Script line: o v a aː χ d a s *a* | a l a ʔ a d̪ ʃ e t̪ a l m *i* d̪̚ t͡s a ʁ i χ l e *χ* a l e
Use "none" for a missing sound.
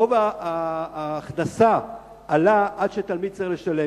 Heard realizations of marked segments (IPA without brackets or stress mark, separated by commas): a, i, ʃ